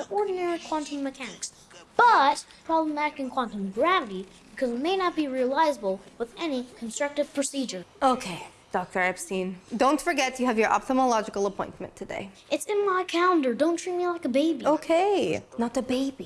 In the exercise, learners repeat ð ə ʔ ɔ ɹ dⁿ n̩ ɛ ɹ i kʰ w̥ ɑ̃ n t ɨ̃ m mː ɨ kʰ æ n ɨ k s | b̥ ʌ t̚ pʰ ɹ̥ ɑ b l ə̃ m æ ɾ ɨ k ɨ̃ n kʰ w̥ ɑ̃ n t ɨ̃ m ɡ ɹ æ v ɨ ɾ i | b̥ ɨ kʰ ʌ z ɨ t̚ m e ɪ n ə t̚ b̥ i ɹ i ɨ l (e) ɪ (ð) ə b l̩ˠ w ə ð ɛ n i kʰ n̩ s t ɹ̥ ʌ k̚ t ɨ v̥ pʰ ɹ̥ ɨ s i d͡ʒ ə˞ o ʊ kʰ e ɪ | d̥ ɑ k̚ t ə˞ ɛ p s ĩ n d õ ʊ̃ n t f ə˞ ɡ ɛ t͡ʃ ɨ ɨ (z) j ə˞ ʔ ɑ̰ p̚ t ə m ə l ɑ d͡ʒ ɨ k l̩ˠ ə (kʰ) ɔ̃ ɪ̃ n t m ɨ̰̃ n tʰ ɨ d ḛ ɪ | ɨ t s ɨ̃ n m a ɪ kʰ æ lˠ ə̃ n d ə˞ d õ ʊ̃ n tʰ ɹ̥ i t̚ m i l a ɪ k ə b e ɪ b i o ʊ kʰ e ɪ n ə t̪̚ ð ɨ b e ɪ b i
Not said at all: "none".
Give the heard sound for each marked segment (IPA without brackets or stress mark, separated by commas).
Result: a, z, v, pʰ